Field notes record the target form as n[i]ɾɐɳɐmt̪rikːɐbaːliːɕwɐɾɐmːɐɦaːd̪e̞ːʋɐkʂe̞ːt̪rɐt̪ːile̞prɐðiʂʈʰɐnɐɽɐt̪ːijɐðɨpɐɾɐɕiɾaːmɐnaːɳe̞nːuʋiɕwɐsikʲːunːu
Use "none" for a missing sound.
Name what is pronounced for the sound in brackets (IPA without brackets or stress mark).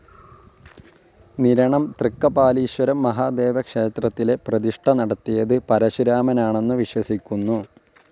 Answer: i